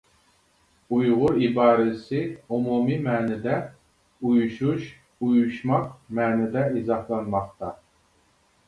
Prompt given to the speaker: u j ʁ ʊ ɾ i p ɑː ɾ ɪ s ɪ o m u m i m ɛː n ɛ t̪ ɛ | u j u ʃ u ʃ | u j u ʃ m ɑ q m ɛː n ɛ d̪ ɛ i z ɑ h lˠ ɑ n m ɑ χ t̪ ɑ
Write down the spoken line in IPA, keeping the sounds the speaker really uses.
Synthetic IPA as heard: u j ʁ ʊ ɾ i b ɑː ɾ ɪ s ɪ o m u m i m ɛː n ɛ d̪ ɛ | u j u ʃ u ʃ | u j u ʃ m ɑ q m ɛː n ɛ d̪ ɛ i z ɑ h lˠ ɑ n m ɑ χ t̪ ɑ